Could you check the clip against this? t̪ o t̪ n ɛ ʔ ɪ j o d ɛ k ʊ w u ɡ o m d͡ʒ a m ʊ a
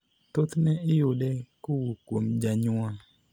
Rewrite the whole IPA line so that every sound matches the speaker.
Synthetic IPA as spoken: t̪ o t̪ n ɛ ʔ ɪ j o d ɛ k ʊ w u k o m d͡ʒ a ɲ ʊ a